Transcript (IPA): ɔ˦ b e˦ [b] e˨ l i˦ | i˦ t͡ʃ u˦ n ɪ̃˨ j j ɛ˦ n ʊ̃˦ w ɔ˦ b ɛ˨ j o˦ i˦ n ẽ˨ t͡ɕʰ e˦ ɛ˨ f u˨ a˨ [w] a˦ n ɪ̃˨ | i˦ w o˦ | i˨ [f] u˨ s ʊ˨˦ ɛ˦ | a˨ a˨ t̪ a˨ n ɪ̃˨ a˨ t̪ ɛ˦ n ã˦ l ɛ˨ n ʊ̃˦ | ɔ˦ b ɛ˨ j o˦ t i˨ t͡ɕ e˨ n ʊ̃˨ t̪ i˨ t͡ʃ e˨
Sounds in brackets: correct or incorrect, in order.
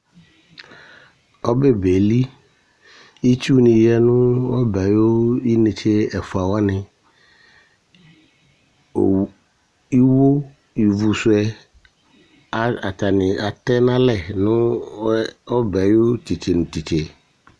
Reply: correct, correct, incorrect

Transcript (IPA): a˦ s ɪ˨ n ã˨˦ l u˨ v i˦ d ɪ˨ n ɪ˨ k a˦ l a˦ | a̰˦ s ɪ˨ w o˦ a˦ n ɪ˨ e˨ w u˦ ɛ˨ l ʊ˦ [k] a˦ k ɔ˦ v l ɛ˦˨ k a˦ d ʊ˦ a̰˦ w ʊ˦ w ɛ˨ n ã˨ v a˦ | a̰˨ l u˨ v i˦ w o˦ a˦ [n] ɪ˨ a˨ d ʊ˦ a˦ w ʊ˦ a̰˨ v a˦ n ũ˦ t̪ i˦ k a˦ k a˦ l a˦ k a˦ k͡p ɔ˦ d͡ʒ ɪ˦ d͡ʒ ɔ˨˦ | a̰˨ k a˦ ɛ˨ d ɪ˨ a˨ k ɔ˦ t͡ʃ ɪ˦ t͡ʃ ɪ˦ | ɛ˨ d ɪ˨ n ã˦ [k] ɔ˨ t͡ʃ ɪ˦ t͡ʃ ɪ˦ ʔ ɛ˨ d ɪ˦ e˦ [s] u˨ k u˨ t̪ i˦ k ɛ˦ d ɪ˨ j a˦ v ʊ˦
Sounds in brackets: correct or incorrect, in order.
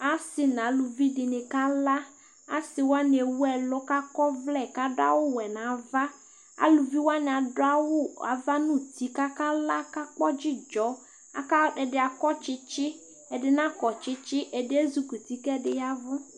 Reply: correct, correct, correct, incorrect

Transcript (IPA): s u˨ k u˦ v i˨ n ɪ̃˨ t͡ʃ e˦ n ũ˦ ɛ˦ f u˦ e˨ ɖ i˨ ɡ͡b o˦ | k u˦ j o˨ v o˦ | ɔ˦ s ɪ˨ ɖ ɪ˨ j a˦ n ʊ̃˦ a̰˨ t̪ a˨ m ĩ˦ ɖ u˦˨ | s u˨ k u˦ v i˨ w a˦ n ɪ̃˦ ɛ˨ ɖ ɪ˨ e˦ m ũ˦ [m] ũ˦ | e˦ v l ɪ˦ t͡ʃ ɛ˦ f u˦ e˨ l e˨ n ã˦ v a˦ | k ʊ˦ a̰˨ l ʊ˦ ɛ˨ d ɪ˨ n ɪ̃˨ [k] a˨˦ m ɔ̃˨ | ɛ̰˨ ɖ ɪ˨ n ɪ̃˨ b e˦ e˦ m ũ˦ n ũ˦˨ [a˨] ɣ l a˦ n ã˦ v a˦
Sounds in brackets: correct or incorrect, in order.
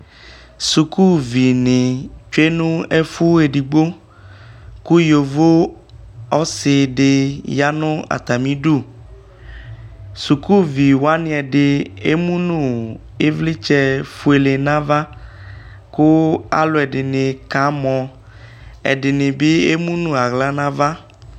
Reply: incorrect, correct, correct

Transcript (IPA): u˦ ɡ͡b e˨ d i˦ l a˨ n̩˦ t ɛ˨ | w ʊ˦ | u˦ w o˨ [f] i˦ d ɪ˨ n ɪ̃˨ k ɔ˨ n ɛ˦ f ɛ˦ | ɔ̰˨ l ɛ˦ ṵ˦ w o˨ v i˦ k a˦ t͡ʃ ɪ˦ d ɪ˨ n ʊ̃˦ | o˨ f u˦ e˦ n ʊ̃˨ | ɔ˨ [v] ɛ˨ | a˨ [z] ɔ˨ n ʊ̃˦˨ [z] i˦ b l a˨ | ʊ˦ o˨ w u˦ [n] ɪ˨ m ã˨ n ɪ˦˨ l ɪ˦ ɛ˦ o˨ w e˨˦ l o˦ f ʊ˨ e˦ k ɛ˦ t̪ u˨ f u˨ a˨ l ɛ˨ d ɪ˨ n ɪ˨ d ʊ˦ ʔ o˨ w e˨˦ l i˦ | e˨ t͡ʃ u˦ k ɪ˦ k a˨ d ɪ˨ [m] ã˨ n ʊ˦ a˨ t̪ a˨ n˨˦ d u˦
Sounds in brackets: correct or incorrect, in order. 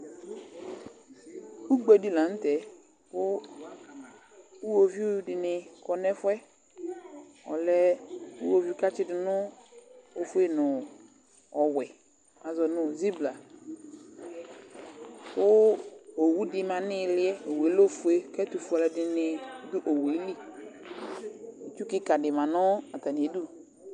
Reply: incorrect, incorrect, correct, correct, incorrect, correct

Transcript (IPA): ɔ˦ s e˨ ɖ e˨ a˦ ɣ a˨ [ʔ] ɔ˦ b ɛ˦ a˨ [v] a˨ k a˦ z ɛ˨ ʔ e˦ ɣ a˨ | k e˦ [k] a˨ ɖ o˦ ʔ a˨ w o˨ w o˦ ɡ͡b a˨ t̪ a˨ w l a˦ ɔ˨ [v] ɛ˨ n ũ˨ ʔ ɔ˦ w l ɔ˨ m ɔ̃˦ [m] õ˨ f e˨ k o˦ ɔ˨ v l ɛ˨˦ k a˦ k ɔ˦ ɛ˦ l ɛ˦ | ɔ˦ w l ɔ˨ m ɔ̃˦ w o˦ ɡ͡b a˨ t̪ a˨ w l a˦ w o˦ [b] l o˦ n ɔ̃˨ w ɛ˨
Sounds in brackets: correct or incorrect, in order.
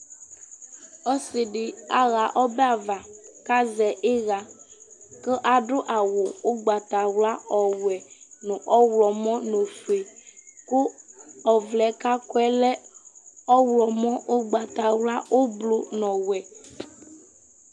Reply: correct, correct, incorrect, incorrect, incorrect, correct

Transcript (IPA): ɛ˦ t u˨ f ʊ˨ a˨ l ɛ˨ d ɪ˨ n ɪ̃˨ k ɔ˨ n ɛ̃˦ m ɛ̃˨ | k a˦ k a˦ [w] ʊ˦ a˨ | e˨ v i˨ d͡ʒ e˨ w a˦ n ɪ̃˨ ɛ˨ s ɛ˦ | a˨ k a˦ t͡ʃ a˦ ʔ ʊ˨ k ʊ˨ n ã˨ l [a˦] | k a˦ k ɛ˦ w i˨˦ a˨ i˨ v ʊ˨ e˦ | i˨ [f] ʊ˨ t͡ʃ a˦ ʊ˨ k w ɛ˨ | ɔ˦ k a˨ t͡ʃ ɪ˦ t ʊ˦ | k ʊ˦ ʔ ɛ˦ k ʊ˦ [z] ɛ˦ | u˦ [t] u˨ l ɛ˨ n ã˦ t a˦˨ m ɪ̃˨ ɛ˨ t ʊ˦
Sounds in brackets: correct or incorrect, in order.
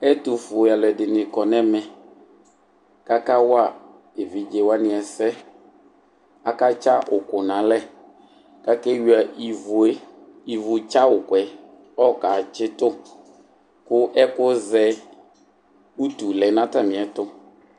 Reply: correct, incorrect, incorrect, correct, correct

